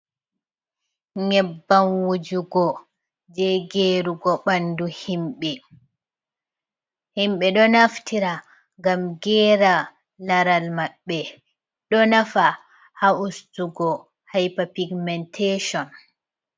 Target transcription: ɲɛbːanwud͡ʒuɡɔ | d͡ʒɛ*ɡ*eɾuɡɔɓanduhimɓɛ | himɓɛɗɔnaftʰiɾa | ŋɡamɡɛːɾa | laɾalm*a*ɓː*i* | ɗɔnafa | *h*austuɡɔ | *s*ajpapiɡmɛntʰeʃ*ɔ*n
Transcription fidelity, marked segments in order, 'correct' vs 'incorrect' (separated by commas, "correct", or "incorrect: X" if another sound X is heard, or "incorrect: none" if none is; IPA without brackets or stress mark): correct, correct, incorrect: ɛ, correct, incorrect: h, correct